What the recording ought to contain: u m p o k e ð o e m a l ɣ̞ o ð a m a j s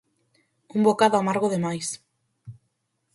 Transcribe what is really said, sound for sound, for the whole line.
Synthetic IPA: u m b o k a ð o a m a ɾ ɣ̞ o ð e m a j s